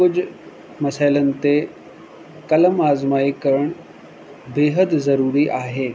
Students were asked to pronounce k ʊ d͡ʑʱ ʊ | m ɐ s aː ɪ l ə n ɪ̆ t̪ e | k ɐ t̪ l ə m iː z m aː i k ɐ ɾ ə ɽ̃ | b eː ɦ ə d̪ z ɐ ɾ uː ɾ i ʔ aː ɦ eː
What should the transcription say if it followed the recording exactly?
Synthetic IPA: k ʊ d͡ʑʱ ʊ | m ɐ s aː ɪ l ə n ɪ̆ t̪ e | k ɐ l ə m aː z m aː i k ɐ ɾ ə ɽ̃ | b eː ɦ ə d̪ z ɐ ɾ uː ɾ i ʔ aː ɦ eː

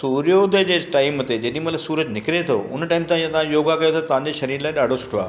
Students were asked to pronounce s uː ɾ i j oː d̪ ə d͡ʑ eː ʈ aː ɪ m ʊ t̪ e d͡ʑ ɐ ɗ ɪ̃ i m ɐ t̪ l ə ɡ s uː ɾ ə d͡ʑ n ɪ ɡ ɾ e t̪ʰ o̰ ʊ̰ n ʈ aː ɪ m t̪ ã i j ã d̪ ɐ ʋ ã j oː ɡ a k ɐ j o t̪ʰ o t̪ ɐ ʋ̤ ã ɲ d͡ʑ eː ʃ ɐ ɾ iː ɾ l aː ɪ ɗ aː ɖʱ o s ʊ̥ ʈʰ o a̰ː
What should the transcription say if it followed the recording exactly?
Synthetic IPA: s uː ɾ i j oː d̪ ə d͡ʑ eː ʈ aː ɪ m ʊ t̪ e d͡ʑ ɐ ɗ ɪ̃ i m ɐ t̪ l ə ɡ s uː ɾ ə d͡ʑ n ɪ k ɾ e t̪ʰ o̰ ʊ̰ n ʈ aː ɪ m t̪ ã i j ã t̪ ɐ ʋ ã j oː ɡ a k ɐ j o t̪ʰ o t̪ ɐ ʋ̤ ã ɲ d͡ʑ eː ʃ ɐ ɾ iː ɾ l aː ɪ ɗ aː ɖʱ o s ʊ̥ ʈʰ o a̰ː

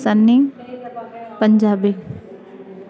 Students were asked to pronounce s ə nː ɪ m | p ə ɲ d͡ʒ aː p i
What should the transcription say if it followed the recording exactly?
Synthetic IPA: s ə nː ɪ ŋ | p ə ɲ d͡ʒ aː b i

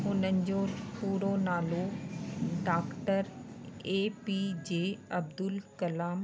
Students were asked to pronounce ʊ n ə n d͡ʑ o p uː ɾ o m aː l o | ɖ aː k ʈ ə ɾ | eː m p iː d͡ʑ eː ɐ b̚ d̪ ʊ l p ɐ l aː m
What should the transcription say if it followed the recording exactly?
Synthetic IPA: ʊ n ə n d͡ʑ o p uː ɾ o n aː l o | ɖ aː k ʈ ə ɾ | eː p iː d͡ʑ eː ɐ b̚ d̪ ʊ l k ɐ l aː m

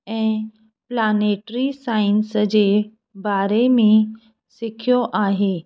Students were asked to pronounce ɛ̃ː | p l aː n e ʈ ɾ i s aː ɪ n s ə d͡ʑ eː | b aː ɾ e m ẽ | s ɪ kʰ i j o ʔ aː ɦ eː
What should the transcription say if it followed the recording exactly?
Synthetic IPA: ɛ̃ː | p l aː n e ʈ ɾ i s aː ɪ n s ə d͡ʑ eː | b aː ɾ e m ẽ | s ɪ kʰ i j o ʔ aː ɦ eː

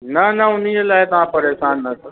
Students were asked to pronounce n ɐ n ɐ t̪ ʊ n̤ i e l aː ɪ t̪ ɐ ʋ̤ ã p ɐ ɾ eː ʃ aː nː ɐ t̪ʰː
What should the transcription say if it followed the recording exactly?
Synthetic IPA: n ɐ n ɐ ʊ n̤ i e l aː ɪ t̪ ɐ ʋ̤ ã p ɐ ɾ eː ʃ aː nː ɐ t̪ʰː

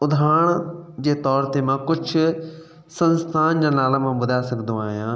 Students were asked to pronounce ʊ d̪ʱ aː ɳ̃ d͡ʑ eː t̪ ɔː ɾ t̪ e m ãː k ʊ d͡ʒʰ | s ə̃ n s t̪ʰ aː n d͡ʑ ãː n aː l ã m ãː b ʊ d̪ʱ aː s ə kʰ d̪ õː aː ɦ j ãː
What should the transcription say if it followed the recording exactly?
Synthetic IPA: ʊ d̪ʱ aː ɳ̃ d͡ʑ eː t̪ ɔː ɾ t̪ e m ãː k ʊ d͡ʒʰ | s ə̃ n s t̪ʰ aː n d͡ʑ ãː n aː l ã m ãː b ʊ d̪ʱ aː s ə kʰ d̪ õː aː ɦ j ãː

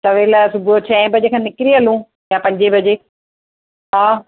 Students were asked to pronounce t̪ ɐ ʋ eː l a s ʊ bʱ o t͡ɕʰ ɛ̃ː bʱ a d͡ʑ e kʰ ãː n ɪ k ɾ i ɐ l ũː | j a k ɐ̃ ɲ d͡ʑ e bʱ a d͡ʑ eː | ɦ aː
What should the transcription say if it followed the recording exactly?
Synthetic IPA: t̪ ɐ ʋ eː l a s ʊ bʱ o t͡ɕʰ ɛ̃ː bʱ ɐ d͡ʑ e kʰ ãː n ɪ k ɾ i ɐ l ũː | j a p ɐ̃ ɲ d͡ʑ e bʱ ɐ d͡ʑ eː | ɦ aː

